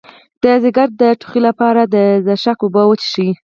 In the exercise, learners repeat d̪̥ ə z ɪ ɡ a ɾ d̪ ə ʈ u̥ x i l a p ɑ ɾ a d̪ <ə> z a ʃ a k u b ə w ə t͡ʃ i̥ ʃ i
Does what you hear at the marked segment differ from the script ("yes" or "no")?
no